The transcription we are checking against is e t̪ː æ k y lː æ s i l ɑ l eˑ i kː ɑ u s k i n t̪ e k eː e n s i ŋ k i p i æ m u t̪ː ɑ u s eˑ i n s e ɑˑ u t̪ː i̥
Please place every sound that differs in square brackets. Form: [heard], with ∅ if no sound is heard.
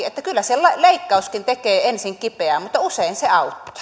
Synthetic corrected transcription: e t̪ː æ k y lː æ s [e] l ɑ l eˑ i kː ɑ u s k i n t̪ e k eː e n s i ŋ k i p [e] æ m u t̪ː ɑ u s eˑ i n s e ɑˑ u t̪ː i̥